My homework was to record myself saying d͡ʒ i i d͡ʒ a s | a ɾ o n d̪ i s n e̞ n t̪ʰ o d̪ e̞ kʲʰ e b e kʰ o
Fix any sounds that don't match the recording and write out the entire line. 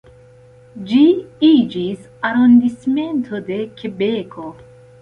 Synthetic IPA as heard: d͡ʒ i i d͡ʒ i s | a ɾ o n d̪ i s m e̞ n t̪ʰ o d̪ e̞ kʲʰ e b e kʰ o